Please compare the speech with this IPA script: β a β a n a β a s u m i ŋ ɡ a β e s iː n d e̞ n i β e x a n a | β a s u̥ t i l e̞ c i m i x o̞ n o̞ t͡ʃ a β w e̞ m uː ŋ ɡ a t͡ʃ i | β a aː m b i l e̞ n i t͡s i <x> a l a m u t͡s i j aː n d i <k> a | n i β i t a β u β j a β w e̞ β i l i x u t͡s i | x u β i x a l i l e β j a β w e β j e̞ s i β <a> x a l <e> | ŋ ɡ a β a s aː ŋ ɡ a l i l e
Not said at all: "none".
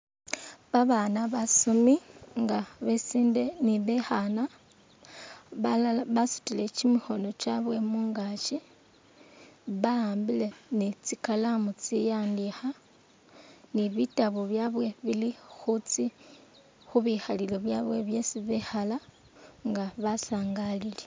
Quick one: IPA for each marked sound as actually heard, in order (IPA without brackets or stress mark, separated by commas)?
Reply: k, x, e, a